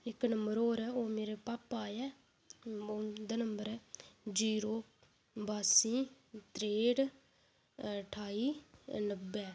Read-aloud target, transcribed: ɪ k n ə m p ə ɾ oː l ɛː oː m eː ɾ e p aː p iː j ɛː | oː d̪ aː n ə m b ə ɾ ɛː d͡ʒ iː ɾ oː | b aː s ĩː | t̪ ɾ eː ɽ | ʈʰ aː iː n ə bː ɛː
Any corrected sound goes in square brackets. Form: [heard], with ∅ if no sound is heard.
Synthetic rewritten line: ɪ k n ə m [b] ə ɾ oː [ɾ] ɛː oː m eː ɾ e p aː p [aː] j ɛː | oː d̪ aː n ə m b ə ɾ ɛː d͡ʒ iː ɾ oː | b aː s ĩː | t̪ ɾ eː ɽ | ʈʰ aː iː n ə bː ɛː